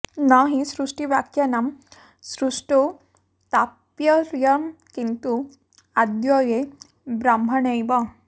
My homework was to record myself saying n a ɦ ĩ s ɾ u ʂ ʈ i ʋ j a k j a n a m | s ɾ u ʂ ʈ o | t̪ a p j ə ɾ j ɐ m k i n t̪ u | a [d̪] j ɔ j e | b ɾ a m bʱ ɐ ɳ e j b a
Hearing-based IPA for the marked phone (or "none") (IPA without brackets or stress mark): d̪